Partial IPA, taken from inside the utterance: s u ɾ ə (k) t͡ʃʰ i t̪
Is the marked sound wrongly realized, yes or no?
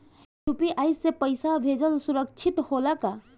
no